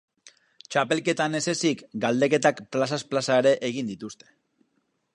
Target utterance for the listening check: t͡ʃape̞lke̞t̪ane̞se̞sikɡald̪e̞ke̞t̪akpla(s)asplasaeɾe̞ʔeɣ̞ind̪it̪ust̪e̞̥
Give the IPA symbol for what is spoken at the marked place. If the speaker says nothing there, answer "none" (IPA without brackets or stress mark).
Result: s